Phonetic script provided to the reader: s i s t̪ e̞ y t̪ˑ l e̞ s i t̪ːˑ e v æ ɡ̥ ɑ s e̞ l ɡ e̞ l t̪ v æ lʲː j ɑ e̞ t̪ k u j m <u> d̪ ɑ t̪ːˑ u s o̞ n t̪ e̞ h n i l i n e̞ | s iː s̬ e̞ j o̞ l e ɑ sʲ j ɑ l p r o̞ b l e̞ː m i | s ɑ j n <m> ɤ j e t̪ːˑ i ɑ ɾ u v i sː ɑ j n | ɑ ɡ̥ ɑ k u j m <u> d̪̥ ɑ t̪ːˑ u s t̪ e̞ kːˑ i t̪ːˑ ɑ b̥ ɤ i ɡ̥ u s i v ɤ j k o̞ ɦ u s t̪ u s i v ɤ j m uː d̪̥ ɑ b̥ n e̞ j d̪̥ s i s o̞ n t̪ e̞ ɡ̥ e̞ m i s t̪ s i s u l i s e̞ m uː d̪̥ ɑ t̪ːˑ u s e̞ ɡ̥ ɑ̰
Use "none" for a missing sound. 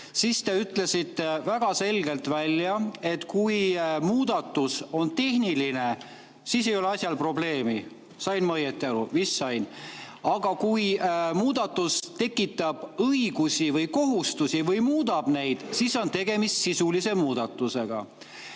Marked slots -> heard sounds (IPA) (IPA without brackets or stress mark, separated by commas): uː, m, uː